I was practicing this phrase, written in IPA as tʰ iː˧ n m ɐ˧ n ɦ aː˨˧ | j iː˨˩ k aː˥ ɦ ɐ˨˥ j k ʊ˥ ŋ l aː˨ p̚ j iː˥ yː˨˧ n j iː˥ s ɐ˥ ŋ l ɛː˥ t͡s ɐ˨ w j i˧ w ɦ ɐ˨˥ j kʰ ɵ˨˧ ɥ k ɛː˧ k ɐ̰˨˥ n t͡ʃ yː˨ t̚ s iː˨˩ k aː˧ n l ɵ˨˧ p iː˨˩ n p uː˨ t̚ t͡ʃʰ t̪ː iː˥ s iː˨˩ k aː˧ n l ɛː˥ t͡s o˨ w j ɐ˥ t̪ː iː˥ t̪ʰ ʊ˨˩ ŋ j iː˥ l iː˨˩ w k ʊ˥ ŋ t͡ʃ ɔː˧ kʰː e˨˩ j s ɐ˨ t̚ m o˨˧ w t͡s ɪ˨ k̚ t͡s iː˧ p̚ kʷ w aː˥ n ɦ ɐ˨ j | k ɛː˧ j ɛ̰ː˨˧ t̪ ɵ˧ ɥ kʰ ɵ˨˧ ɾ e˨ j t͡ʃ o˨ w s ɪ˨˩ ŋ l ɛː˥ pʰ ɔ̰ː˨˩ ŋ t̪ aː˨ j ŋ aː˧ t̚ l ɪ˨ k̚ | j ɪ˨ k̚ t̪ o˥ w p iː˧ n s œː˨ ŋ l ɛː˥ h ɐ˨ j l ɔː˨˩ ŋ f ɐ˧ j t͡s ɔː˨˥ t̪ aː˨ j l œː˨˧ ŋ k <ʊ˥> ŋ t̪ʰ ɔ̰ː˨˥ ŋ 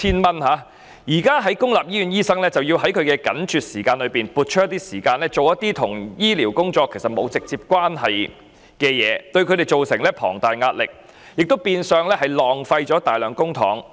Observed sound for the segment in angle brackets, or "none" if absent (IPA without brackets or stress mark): ʊ˥